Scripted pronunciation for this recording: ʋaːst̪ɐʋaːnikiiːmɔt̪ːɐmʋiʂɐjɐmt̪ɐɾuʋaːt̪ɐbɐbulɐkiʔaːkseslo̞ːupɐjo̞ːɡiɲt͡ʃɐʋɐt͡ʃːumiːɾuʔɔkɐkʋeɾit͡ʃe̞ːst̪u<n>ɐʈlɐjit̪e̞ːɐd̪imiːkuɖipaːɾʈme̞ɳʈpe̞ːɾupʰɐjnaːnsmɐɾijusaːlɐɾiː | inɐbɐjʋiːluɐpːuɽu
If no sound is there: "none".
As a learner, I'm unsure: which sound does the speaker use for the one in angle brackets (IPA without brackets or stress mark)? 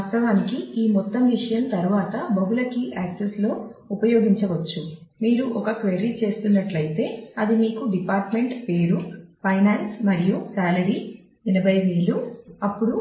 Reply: nː